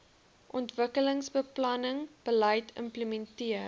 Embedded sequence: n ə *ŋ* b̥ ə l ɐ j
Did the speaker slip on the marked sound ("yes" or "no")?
no